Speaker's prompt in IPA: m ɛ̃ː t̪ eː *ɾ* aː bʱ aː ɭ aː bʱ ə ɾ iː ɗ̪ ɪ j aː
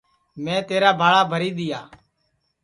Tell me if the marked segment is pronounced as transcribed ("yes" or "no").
yes